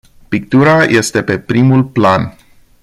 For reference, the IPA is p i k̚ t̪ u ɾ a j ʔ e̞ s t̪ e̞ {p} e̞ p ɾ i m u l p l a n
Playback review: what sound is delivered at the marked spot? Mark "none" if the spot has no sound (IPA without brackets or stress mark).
p